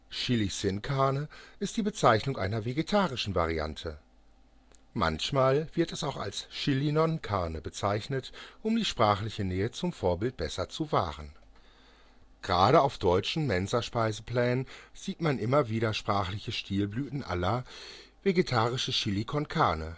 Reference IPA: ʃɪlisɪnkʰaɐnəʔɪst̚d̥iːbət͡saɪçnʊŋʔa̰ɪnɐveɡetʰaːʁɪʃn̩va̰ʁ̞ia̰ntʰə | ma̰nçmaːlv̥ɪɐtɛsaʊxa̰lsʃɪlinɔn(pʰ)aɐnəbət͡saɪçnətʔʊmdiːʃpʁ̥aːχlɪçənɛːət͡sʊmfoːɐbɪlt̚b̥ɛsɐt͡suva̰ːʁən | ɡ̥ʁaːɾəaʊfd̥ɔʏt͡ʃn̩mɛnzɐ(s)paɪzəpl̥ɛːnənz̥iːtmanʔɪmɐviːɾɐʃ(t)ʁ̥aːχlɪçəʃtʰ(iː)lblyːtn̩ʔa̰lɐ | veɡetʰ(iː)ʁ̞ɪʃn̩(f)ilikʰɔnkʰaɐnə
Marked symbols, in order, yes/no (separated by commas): no, no, no, yes, no, no